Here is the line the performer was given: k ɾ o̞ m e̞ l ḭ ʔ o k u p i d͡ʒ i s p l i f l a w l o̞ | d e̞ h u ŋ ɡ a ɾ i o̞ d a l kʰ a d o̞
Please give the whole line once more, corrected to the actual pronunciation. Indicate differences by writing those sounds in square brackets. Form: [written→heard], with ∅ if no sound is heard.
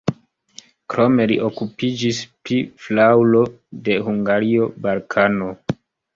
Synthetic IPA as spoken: k ɾ o̞ m e̞ l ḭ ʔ o k u p i d͡ʒ i s p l i f l a w l o̞ | d e̞ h u ŋ ɡ a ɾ i o̞ [d→b] a l kʰ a [d→n] o̞